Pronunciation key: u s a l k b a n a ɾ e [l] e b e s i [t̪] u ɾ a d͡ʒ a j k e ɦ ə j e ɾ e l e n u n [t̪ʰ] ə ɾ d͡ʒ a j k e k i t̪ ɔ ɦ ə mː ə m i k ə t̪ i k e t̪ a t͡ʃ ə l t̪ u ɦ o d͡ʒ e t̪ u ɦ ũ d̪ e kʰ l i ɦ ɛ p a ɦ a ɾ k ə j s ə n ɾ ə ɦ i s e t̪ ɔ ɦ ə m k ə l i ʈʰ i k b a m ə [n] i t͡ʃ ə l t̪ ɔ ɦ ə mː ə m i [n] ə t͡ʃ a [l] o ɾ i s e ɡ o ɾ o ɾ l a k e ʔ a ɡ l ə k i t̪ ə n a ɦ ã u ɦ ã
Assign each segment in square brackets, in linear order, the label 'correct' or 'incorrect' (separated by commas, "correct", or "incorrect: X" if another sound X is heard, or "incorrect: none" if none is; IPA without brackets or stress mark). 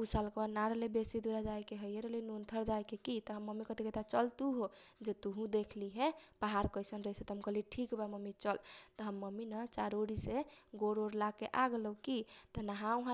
correct, incorrect: d̪, correct, incorrect: m, correct, incorrect: ɾ